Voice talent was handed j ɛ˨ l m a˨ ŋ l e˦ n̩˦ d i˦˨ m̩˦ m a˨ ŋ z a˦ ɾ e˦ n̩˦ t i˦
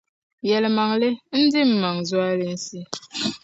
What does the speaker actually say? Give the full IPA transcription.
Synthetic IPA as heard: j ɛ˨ l m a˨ ŋ l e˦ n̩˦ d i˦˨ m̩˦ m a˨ ŋ z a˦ l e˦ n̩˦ s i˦

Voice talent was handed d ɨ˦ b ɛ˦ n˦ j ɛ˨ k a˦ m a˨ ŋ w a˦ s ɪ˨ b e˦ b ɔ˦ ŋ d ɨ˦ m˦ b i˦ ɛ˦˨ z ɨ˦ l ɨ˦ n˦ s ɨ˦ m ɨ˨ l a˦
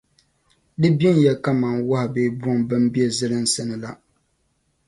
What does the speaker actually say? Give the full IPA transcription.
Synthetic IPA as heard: d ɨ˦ b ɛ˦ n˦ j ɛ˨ k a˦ m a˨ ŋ w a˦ h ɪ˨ b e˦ b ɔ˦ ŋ b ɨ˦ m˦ b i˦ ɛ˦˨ z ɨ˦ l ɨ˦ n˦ s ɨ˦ n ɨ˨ l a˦

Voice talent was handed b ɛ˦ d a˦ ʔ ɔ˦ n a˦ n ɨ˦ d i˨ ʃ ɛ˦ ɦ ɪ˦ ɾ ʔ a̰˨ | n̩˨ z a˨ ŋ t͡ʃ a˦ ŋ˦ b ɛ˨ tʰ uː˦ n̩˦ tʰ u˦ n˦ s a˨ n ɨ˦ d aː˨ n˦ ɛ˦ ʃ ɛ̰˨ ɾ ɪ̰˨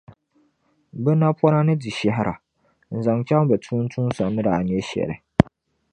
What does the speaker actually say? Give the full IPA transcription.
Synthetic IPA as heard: b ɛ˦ n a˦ p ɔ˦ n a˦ n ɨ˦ d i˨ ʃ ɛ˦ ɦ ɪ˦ ɾ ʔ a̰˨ | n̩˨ z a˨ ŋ t͡ʃ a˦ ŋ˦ b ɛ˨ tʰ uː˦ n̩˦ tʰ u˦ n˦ s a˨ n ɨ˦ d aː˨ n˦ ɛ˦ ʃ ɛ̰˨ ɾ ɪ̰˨

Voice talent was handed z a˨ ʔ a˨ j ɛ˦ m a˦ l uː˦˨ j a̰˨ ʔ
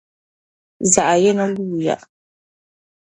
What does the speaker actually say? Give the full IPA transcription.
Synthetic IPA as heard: z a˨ ʔ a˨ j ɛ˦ n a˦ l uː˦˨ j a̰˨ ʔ

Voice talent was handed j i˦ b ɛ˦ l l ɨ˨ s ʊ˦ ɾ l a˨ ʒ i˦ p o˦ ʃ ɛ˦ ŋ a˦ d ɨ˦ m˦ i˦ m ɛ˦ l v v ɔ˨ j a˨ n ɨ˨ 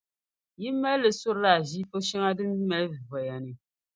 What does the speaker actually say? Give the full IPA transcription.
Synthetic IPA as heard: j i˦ m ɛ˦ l l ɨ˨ s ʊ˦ ɾ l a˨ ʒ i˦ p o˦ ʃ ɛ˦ ŋ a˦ d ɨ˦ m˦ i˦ m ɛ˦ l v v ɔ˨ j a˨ n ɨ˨

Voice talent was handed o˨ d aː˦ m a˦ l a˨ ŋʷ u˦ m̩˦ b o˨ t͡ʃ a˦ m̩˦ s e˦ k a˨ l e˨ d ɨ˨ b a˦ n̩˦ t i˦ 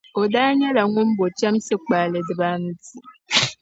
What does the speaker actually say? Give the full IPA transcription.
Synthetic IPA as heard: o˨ d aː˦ ɲ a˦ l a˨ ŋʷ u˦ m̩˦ b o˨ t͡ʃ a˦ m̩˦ s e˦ k͡p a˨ l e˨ d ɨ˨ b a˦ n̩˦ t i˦

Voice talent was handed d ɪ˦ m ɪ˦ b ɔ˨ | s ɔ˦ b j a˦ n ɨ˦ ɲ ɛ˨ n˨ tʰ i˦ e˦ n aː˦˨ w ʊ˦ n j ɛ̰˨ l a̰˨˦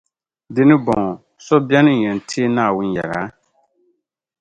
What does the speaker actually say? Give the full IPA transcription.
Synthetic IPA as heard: d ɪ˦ n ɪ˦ b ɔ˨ | s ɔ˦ b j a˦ n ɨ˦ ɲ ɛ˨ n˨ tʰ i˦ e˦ n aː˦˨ w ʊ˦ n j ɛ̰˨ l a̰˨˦

